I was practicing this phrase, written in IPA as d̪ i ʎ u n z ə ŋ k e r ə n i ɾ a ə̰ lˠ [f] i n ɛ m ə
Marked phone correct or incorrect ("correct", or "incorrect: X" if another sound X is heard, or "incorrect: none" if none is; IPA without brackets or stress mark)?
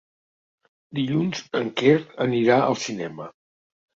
incorrect: s